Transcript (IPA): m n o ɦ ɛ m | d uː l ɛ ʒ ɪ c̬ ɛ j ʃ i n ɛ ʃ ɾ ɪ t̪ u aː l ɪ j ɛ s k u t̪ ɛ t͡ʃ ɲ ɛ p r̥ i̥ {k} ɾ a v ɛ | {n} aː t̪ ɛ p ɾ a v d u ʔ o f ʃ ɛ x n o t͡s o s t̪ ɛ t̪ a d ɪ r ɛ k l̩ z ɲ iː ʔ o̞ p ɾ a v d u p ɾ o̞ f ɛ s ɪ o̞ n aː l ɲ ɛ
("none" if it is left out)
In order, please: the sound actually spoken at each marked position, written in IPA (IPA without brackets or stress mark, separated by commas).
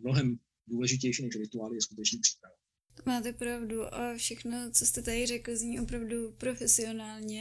p, m